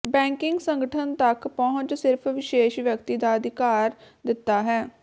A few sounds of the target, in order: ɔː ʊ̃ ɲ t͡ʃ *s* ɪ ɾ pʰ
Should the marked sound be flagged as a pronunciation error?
no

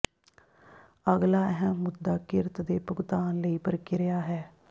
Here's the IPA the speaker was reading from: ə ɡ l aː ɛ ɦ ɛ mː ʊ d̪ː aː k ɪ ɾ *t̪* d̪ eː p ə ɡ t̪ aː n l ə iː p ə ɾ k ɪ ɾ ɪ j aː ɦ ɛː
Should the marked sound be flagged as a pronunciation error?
no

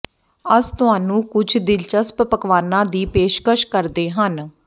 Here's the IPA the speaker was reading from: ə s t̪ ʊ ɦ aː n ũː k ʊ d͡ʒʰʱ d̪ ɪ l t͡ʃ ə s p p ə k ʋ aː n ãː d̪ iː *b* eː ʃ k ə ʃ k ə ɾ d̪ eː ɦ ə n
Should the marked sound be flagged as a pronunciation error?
yes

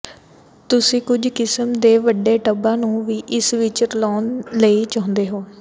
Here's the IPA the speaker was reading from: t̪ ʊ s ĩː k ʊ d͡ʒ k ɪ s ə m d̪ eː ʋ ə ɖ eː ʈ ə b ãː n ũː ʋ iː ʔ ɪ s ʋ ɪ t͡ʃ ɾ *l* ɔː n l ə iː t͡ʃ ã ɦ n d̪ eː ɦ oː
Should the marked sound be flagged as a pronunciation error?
no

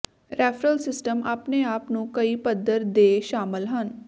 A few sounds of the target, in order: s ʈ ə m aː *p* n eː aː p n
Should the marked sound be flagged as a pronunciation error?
no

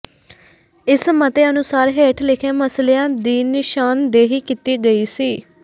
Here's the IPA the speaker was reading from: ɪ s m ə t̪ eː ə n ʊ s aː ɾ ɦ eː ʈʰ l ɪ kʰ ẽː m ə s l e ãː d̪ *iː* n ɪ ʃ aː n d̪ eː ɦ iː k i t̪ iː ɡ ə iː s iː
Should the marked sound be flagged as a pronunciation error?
no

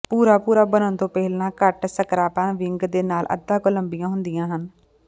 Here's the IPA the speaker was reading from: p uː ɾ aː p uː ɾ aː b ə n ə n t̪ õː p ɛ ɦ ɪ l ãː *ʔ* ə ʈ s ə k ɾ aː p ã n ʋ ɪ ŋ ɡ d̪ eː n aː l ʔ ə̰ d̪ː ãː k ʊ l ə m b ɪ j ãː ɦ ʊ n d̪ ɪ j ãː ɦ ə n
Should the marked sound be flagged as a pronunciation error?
yes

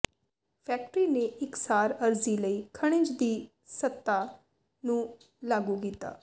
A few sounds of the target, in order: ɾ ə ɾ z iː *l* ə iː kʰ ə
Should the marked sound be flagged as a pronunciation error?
no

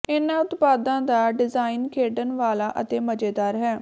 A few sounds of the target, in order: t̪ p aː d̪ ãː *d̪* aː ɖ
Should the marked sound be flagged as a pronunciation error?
no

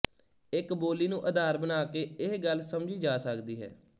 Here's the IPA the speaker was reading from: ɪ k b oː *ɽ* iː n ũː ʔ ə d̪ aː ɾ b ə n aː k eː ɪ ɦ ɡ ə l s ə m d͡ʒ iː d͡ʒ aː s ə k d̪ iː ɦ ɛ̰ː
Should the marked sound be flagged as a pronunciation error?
yes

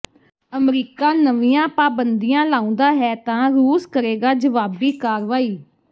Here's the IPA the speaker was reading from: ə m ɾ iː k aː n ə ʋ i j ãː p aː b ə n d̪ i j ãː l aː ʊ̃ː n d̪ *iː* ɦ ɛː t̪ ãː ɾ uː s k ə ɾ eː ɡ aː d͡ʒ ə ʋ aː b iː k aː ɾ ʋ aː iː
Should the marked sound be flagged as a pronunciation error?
yes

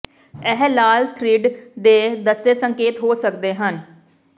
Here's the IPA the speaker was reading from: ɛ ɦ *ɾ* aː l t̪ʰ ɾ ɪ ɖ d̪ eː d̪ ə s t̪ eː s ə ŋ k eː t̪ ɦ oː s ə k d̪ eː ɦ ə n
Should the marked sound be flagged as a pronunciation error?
yes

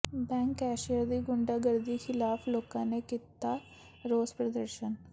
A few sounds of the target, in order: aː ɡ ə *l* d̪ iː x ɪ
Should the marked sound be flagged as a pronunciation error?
yes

